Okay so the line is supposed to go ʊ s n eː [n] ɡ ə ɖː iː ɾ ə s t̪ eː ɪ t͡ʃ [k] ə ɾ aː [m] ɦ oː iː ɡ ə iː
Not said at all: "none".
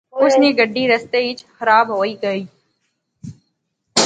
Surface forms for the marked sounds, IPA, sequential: none, x, b

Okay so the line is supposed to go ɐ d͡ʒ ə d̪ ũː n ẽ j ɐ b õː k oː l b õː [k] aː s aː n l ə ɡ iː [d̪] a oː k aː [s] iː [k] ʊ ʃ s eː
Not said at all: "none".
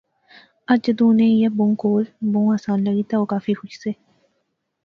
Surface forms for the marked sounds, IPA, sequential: none, t̪, f, x

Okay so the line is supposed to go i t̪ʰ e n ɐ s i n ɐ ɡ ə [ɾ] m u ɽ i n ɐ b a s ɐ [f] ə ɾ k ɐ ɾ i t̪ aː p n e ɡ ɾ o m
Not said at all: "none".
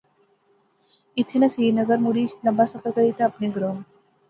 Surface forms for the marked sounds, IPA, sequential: ɾ, f

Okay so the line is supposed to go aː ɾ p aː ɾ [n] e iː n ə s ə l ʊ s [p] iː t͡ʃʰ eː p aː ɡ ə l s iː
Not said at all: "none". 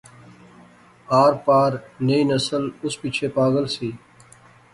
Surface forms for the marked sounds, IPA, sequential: n, p

